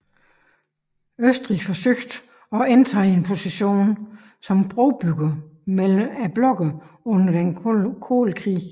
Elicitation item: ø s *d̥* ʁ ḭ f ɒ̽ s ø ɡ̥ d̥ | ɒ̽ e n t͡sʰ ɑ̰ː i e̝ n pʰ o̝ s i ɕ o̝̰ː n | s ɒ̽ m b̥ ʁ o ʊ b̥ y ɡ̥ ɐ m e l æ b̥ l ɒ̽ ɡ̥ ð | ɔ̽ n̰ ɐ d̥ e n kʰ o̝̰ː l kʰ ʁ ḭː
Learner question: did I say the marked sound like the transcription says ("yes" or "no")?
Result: yes